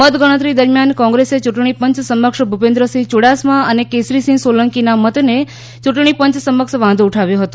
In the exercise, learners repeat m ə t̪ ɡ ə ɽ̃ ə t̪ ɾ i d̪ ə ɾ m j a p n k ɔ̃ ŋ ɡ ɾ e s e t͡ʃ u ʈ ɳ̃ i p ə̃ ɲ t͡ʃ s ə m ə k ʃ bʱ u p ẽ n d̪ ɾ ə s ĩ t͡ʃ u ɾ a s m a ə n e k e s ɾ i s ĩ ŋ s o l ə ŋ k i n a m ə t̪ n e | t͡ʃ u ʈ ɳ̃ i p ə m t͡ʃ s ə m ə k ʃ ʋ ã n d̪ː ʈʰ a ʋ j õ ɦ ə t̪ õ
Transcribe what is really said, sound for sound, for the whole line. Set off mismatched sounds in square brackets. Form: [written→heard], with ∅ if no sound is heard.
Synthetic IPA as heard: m ə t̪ ɡ ə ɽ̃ ə t̪ ɾ i d̪ ə ɾ m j a [p→∅] n k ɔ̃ ŋ ɡ ɾ e s e t͡ʃ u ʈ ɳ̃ i p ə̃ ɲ t͡ʃ s ə m ə k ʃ bʱ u p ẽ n d̪ ɾ ə s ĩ t͡ʃ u [ɾ→ɽ] a s m a ə n e k e s ɾ i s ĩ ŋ s o l ə ŋ k i n a m ə t̪ n e | t͡ʃ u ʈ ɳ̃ i p ə [m→ɲ] t͡ʃ s ə m ə k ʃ ʋ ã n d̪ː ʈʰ a ʋ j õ ɦ ə t̪ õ